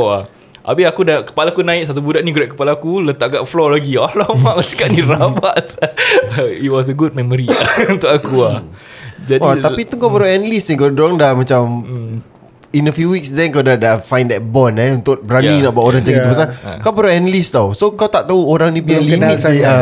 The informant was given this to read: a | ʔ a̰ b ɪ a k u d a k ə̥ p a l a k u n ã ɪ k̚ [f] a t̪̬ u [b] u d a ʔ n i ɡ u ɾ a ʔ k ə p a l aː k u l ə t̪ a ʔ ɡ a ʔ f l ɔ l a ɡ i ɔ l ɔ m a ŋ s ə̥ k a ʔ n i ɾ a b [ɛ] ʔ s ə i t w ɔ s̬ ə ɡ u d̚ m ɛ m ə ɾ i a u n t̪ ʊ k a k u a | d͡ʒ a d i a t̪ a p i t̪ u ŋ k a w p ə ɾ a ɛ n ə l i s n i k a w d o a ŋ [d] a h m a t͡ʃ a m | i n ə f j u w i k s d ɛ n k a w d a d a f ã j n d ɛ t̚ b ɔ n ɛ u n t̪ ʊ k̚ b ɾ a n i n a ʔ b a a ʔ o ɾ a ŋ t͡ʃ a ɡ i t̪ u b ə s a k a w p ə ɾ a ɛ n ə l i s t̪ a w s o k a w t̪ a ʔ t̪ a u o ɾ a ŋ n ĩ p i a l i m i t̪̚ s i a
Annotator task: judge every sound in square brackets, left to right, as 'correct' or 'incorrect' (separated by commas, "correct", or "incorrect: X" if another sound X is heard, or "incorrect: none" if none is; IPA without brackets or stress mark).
incorrect: s, correct, incorrect: a, correct